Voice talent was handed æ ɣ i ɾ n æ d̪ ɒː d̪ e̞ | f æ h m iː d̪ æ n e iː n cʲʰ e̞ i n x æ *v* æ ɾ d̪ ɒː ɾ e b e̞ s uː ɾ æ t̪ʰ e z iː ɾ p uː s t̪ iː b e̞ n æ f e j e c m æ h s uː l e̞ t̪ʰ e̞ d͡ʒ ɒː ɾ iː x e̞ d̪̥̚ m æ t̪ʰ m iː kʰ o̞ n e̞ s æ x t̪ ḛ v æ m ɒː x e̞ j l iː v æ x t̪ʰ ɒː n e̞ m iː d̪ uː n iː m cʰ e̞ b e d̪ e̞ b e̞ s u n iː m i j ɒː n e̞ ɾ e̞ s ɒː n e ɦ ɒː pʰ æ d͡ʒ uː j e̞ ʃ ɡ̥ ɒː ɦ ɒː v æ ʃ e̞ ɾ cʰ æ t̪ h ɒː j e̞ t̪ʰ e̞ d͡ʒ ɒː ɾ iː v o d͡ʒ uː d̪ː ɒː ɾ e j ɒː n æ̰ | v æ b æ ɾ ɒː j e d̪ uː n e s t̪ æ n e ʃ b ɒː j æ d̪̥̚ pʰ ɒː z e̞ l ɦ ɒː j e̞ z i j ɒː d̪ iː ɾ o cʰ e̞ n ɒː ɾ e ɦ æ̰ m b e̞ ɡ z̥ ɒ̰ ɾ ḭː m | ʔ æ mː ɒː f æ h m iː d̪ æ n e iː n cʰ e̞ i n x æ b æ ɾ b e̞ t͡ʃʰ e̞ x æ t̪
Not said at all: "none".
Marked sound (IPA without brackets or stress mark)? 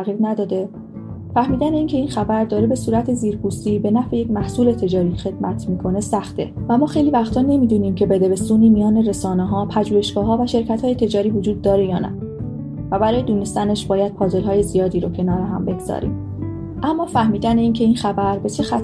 b